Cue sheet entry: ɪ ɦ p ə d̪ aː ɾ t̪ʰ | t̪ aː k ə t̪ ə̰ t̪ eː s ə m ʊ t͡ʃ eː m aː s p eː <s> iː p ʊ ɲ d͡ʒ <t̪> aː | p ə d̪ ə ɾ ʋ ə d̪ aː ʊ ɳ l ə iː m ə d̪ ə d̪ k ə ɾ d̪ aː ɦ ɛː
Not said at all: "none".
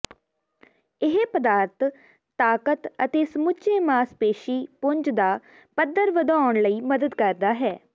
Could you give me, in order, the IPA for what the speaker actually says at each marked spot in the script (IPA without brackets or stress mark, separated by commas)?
ʃ, d̪